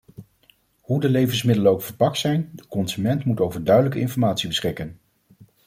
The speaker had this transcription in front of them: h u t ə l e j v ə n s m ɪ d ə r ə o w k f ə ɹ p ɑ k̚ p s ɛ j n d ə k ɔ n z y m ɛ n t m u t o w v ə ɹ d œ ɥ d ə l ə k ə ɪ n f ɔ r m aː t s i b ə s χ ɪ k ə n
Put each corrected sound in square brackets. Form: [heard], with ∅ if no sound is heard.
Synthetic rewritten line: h u [d] ə l e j v ə n s m ɪ d ə [l] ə o w k f ə ɹ p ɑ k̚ [t] s ɛ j n d ə k ɔ n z y m ɛ n t m u t o w v ə ɹ d œ ɥ d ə l ə k ə ɪ n f ɔ [ɹ] m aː t s i b ə s χ ɪ k ə n